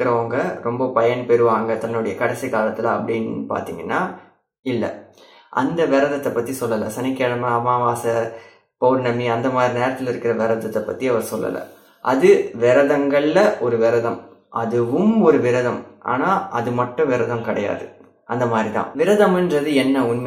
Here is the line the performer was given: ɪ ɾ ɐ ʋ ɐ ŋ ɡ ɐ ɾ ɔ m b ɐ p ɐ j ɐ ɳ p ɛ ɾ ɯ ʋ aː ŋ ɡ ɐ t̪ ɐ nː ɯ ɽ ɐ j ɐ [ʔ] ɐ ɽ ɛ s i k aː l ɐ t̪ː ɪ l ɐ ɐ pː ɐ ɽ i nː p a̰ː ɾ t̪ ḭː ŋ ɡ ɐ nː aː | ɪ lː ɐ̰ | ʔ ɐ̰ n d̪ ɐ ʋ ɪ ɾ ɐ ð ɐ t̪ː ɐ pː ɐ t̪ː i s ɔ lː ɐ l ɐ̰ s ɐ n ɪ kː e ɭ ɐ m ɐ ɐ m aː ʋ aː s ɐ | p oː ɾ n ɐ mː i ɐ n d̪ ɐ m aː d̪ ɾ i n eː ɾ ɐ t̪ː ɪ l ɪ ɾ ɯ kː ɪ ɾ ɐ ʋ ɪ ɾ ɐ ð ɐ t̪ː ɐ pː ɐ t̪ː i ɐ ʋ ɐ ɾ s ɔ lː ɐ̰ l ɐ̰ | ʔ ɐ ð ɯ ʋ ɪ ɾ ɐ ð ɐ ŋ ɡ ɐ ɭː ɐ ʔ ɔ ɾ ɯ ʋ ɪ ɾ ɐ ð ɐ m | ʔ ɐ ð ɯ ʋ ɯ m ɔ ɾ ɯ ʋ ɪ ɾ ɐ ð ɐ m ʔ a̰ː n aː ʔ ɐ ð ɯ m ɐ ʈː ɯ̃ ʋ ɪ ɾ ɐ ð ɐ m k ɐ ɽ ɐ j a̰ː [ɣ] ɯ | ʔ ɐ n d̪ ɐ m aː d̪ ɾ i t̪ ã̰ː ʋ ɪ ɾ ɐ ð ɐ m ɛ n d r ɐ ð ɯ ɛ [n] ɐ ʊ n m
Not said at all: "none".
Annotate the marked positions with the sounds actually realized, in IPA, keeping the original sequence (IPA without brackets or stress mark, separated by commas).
k, ð, nː